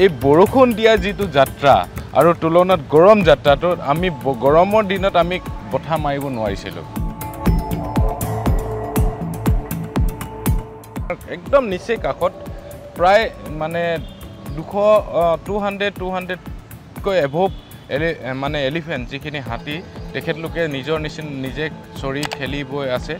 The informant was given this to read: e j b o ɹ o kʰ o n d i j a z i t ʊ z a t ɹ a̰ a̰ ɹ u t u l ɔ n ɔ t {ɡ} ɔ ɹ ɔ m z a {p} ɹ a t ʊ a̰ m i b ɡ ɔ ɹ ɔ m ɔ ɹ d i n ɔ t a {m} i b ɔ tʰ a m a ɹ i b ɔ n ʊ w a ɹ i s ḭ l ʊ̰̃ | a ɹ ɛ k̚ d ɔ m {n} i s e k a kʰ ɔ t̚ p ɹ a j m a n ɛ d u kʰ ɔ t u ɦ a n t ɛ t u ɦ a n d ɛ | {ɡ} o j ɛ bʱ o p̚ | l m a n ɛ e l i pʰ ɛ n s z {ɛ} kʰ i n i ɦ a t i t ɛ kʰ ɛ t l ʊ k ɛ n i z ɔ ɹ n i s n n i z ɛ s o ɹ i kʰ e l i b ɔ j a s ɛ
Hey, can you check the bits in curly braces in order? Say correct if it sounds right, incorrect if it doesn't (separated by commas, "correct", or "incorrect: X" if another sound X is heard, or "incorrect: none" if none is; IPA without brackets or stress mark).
correct, incorrect: t, correct, correct, incorrect: k, incorrect: i